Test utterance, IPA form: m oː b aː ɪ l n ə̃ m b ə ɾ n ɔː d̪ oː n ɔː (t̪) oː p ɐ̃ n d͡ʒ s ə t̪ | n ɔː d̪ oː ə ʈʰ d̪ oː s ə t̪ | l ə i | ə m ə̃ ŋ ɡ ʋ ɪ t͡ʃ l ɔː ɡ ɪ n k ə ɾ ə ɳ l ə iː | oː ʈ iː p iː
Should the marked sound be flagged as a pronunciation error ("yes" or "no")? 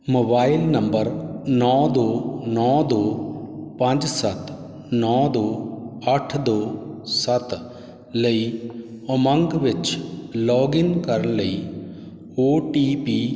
yes